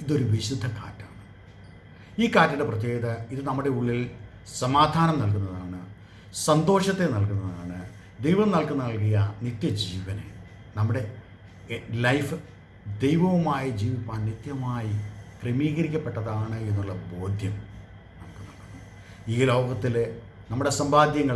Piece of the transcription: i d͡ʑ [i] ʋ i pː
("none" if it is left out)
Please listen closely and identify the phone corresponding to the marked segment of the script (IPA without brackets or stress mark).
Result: iː